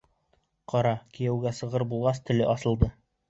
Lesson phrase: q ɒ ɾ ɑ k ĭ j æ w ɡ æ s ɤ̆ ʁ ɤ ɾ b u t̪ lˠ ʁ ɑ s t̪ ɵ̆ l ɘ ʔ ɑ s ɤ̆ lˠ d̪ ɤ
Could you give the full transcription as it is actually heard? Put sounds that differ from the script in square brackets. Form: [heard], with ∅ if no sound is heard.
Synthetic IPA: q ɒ ɾ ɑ k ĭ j æ w ɡ æ s ɤ̆ ʁ ɤ ɾ b u [∅] lˠ ʁ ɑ s t̪ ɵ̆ l ɘ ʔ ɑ s ɤ̆ lˠ d̪ ɤ